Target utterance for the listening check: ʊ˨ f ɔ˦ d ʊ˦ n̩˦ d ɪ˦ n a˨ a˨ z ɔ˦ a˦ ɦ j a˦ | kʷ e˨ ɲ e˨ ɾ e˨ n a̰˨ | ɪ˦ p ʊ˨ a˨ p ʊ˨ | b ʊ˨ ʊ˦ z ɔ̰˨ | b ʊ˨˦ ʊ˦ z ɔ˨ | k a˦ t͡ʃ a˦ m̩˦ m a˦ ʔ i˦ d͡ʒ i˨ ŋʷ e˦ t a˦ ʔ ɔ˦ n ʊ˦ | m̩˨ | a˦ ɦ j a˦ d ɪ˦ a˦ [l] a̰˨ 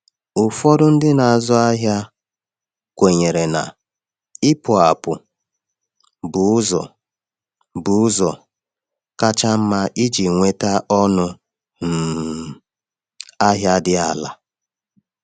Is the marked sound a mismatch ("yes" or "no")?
no